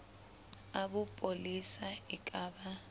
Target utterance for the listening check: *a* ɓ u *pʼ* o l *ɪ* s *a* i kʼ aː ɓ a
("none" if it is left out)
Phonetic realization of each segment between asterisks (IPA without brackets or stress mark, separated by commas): a, pʼ, i, a